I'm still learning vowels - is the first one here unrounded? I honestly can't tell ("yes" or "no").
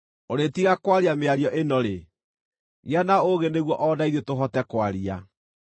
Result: no